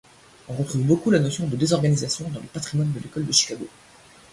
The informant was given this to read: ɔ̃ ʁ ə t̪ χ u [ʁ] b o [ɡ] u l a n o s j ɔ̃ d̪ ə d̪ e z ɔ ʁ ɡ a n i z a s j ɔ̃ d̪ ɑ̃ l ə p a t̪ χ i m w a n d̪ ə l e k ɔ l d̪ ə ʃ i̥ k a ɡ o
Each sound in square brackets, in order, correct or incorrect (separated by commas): incorrect, incorrect